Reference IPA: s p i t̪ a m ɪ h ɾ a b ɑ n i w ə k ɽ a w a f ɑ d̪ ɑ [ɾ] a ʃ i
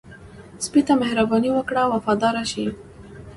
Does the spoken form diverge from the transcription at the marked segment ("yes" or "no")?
no